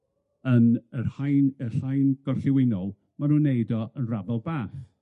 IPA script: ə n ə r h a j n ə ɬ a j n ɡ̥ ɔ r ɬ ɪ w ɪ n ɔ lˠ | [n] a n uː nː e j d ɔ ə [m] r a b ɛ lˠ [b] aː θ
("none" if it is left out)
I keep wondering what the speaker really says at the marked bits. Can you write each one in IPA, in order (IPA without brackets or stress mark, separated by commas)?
m, n, b